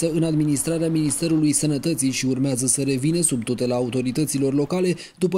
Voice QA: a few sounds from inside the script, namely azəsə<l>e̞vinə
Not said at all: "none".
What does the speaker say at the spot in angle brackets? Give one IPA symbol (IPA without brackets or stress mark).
ɾ